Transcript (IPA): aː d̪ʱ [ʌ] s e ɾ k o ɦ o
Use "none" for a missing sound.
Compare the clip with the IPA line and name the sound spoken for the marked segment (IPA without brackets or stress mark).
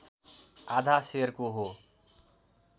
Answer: a